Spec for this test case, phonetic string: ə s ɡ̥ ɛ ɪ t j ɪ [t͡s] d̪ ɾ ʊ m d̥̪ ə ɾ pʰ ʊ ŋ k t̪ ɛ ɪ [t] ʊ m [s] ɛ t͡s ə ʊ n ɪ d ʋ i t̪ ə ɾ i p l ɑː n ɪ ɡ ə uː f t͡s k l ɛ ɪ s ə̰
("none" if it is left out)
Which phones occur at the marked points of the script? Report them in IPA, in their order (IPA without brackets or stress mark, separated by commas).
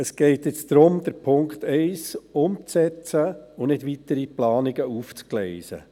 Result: t͡s, s, t͡s